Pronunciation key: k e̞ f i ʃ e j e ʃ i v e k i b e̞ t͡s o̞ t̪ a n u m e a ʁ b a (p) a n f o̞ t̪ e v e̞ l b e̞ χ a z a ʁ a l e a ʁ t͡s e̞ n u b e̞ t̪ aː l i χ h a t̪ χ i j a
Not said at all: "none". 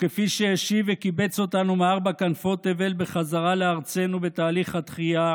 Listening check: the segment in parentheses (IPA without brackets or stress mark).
k